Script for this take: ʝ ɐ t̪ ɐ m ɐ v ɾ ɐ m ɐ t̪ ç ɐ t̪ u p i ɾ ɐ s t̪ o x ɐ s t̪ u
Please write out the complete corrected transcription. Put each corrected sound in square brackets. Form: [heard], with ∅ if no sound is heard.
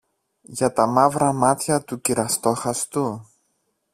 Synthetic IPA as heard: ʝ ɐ t̪ ɐ m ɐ v ɾ ɐ m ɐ t̪ ç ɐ t̪ u [c] i ɾ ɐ s t̪ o x ɐ s t̪ u